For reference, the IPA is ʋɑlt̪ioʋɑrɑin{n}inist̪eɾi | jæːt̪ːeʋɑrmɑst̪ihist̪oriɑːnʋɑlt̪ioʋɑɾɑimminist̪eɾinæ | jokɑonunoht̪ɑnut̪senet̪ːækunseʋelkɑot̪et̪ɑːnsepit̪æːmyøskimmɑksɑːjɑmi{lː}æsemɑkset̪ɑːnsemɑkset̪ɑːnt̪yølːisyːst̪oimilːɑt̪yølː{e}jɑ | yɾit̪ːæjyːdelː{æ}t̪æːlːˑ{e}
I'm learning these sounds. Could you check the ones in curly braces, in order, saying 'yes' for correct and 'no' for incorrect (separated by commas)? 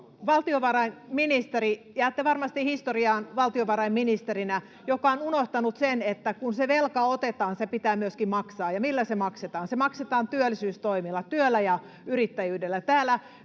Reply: no, yes, no, yes, no